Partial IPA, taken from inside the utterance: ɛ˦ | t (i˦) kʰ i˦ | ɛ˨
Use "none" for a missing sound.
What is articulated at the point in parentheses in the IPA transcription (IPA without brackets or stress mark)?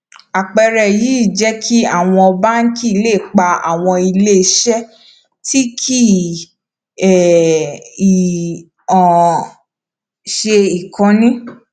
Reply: i˦